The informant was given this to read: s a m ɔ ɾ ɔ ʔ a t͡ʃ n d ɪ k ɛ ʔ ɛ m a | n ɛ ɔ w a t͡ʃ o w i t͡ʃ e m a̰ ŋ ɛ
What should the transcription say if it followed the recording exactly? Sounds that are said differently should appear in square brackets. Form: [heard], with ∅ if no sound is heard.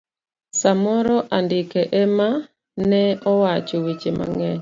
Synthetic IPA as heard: s a m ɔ ɾ ɔ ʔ a [∅] n d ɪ k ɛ ʔ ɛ m a | n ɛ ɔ w a t͡ʃ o w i t͡ʃ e m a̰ ŋ ɛ